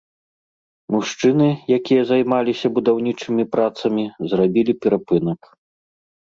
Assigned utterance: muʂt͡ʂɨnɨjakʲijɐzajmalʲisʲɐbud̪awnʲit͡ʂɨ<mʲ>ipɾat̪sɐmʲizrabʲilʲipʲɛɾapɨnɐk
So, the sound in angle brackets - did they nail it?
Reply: yes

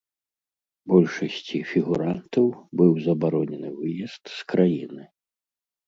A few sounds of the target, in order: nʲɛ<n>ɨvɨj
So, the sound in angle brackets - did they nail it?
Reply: yes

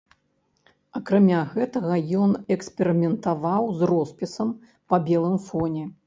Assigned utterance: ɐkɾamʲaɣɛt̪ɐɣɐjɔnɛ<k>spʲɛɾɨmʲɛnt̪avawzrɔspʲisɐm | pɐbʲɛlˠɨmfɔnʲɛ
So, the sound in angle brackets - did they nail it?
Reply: yes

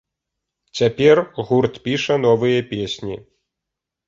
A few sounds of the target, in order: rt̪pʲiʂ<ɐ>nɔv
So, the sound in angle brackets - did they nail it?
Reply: yes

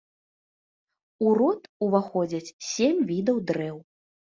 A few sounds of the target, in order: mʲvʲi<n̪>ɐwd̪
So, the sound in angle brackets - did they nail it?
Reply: no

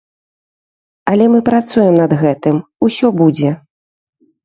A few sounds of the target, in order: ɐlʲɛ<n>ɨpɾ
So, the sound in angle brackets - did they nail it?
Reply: no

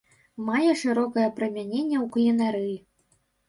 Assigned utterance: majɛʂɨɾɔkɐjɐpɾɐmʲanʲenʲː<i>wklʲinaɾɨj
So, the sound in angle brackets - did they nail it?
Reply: no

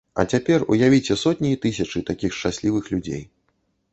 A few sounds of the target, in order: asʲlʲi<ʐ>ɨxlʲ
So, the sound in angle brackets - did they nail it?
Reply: no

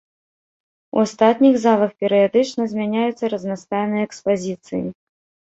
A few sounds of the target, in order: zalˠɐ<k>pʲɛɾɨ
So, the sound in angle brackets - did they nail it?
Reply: no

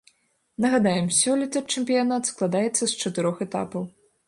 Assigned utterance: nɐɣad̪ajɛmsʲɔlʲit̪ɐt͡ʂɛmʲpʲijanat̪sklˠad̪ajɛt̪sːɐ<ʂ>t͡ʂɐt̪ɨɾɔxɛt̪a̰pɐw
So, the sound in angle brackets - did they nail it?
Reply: no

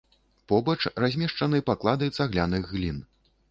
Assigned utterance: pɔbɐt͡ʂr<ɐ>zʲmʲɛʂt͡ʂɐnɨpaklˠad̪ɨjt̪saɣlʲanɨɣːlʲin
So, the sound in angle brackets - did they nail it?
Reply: no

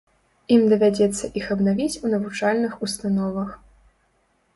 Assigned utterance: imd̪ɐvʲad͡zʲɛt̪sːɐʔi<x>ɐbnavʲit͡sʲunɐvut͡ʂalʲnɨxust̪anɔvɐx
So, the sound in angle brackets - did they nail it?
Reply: yes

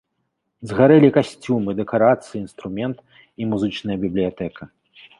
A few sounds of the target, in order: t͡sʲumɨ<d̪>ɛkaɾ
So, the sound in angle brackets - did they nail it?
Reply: yes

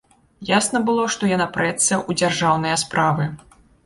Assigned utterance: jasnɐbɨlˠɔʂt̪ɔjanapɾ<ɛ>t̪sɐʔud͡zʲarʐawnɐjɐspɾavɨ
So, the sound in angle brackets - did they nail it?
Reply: yes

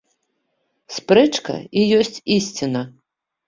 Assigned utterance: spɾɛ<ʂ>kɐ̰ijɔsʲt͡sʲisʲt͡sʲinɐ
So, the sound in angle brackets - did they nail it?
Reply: no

